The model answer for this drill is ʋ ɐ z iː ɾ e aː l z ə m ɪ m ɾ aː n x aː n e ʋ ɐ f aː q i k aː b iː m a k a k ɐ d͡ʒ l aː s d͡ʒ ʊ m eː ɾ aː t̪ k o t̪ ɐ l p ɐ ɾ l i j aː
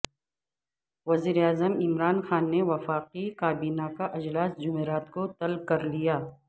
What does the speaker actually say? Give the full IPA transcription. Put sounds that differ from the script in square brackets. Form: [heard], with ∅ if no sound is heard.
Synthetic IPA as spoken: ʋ ɐ z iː ɾ e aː [∅] z ə m ɪ m ɾ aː n x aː [nː] e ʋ ɐ f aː q i k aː b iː [n] a k a [ʔ] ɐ d͡ʒ l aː s d͡ʒ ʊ m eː ɾ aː t̪ k o t̪ ɐ l [k] ɐ ɾ l i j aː